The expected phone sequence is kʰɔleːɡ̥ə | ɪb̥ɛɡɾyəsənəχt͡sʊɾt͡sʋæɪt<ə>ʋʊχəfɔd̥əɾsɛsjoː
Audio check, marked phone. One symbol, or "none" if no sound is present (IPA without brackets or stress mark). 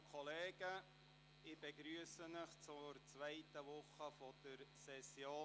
ə